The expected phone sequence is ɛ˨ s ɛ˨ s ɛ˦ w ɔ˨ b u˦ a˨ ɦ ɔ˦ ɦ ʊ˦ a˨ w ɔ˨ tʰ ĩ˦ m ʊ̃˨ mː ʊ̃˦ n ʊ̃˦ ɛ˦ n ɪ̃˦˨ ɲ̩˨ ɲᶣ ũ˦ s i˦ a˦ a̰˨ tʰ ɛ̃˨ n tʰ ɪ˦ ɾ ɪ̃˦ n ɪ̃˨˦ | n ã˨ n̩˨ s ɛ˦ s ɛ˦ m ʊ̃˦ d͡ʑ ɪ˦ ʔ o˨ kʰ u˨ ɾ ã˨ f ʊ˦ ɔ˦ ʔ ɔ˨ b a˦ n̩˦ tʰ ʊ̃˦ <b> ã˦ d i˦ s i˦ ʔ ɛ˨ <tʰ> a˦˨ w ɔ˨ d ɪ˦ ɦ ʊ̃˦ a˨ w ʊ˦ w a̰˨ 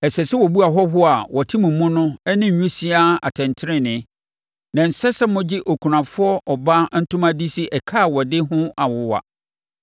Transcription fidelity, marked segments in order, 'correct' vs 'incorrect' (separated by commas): incorrect, incorrect